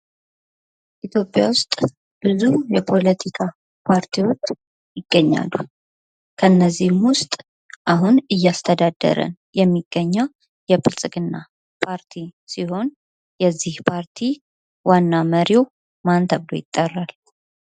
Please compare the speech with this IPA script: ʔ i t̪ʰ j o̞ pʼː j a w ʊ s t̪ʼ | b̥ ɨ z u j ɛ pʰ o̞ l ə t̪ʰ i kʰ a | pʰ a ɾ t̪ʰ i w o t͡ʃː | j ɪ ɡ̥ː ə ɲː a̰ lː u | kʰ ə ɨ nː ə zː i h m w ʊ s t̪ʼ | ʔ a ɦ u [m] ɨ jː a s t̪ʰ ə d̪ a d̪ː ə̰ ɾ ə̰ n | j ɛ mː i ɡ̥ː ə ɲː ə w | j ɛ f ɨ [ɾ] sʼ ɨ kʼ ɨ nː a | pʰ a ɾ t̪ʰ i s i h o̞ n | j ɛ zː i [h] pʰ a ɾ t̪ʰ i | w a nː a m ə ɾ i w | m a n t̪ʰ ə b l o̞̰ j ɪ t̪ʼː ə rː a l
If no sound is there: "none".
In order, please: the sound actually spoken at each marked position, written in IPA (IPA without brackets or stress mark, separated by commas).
n, l, h